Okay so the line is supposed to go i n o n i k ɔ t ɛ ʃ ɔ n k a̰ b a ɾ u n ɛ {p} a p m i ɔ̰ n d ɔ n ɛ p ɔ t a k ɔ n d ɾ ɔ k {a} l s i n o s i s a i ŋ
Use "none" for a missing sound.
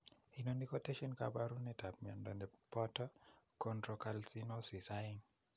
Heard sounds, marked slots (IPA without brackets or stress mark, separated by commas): t, a